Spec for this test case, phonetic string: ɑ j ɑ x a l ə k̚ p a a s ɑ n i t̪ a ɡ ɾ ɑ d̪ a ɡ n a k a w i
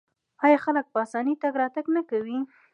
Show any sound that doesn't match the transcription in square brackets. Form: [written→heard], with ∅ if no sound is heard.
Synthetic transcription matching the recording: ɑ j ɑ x a l ə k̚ p [a→ə] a s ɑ n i t̪ a ɡ ɾ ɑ [d̪→t̪] a ɡ n a k a w i